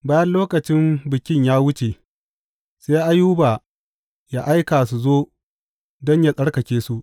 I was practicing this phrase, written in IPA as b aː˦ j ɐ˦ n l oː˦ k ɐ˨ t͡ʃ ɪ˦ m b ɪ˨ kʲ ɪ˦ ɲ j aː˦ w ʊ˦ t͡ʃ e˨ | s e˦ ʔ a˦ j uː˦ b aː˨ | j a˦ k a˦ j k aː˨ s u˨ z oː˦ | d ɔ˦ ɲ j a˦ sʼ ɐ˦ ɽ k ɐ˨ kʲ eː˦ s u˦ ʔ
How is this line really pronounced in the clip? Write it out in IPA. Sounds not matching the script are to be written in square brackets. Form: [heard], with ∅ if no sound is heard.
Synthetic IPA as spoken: b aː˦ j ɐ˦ n l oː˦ k ɐ˨ t͡ʃ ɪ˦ m b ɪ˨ kʲ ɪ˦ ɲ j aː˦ w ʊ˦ t͡ʃ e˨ | s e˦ ʔ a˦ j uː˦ b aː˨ | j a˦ [ʔ] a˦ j k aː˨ s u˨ z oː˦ | d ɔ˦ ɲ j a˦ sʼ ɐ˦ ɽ k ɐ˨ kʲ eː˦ s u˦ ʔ